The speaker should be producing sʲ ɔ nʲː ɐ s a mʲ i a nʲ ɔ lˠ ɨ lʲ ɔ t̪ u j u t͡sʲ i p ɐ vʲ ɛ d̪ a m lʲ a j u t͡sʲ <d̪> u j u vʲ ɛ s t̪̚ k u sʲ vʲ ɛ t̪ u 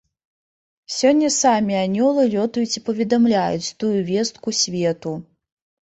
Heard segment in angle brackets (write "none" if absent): t̪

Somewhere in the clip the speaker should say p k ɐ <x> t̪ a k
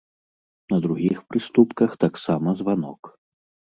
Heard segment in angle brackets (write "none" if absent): x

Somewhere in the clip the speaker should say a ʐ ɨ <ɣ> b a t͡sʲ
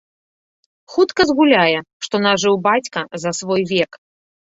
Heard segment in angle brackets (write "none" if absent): w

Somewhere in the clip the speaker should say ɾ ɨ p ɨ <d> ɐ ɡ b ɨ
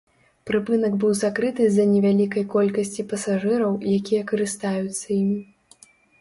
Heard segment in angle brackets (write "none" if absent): n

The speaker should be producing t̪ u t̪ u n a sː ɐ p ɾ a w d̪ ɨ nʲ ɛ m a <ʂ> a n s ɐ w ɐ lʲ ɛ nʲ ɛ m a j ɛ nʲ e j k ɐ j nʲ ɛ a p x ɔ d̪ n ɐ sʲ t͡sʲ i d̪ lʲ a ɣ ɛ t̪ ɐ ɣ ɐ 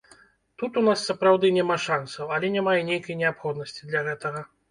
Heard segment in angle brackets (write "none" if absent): ʂ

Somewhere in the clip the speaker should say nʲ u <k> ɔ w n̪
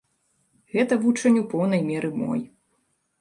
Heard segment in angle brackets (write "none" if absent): p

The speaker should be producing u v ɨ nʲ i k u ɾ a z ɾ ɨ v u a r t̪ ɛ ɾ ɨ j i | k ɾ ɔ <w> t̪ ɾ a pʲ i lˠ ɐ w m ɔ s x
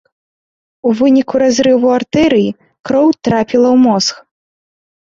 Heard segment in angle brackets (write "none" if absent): w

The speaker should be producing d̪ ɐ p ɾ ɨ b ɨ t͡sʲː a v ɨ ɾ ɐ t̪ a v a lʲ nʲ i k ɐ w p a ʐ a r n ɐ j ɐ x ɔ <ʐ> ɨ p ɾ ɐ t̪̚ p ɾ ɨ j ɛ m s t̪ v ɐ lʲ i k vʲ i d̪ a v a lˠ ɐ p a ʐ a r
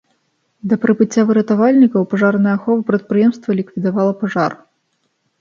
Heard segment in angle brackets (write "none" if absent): v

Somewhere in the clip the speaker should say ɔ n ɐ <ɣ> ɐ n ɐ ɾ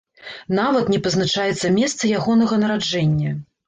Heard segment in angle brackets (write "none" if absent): ɣ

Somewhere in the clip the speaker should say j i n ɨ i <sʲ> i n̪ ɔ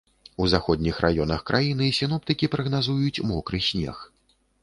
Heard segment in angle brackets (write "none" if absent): sʲ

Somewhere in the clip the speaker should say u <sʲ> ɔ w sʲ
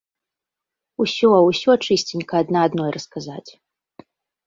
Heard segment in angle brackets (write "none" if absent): sʲ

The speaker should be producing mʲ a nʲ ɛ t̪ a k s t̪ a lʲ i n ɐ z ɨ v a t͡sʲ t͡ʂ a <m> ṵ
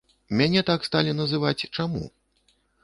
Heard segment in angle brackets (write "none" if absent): m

